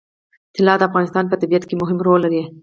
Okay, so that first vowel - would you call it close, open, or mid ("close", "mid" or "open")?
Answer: close